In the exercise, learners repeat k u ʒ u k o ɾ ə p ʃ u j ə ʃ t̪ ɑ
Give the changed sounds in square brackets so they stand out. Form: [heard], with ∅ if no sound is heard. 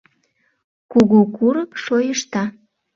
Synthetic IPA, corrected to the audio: k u [ɣ] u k [u] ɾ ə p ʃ [o] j ə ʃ t̪ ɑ

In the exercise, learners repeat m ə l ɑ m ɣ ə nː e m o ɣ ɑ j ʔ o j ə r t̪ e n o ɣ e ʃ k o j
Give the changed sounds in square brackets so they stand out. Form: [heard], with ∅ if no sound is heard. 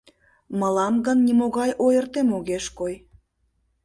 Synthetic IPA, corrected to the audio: m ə l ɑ m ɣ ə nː [i] m o ɣ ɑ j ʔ o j ə r t̪ e [m] o ɣ e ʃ k o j

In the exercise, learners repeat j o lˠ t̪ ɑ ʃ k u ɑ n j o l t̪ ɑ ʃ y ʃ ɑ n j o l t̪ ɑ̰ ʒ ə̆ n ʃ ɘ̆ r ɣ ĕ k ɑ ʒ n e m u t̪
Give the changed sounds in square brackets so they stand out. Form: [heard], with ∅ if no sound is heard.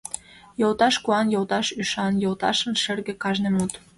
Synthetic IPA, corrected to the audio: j o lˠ t̪ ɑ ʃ k u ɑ n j o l t̪ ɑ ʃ y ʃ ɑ n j o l t̪ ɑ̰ [ʃ] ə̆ n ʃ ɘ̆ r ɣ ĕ k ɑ ʒ n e m u t̪

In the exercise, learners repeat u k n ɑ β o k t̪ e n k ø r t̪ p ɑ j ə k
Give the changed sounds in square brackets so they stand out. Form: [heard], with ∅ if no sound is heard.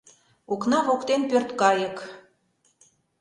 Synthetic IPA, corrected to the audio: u k n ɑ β o k t̪ e n [p] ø r t̪ [k] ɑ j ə k

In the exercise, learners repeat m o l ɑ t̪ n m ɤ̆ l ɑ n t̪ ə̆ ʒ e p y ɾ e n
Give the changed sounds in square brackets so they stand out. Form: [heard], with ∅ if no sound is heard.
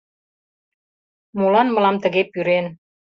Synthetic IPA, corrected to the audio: m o l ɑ [∅] n m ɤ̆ l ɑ [m] t̪ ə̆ [ɣ] e p y ɾ e n

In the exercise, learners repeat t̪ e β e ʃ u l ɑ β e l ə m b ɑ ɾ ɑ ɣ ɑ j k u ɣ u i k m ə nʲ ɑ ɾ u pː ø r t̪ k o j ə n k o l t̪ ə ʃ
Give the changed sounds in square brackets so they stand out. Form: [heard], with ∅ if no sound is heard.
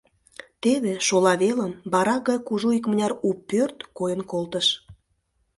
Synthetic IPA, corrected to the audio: t̪ e β e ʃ [o] l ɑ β e l ə m b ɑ ɾ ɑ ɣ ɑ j k u [ʒ] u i k m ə nʲ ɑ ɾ u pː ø r t̪ k o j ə n k o l t̪ ə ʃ

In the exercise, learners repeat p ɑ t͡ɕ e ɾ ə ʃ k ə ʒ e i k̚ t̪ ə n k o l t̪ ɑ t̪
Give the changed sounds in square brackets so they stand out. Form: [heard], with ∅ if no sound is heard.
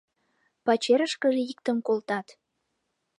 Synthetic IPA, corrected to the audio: p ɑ t͡ɕ e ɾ ə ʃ k ə ʒ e i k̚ t̪ ə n k o l t̪ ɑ t̪

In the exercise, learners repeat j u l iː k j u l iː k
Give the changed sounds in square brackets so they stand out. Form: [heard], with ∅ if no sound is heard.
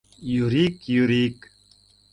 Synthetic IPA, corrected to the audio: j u [ɾ] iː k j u [ɾ] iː k

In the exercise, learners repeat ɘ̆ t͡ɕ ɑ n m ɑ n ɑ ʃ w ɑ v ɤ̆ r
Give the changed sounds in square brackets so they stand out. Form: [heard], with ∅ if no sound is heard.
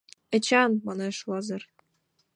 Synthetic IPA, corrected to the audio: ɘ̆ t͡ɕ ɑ n m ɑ n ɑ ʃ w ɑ [z] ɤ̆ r

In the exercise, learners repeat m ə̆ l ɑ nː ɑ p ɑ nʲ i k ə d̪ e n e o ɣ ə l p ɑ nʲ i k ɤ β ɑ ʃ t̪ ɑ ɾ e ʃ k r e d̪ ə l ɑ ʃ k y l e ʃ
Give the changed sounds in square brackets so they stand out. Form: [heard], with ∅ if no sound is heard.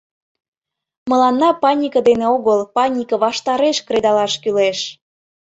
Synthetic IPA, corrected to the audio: m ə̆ l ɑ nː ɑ p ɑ nʲ i k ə d̪ e n e o ɣ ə l p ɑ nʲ i k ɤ β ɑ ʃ t̪ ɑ ɾ e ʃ k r e d̪ [ɑ] l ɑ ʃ k y l e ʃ

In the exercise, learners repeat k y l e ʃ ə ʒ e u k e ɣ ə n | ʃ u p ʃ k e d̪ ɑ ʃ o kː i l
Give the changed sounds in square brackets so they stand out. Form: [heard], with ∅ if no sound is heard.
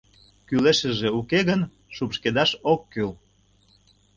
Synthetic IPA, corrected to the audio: k y l e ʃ ə ʒ e u k e ɣ ə n | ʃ u p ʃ k e d̪ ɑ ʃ o kː [y] l

